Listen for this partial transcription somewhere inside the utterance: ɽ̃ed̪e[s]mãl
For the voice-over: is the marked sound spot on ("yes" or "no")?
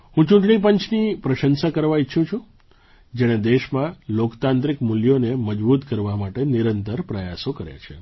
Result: no